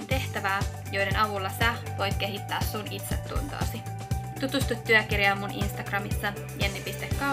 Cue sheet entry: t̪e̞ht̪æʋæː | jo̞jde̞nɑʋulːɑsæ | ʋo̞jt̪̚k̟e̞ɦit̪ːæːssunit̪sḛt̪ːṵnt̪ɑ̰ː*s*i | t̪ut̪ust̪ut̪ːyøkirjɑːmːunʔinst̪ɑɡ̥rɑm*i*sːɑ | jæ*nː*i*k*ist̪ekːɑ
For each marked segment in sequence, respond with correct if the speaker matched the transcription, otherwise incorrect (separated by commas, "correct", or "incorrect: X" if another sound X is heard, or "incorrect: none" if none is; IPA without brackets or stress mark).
correct, correct, correct, incorrect: p